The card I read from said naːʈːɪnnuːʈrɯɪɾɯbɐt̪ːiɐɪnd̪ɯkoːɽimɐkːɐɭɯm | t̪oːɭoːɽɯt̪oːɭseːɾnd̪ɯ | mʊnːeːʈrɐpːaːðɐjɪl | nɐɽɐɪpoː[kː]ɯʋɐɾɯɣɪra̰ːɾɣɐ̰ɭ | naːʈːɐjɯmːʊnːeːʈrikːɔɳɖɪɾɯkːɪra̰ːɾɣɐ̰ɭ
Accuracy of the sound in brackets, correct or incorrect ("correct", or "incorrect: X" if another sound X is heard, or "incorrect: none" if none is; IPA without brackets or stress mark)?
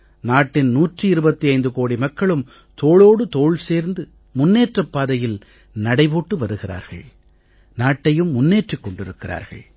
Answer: incorrect: ʈː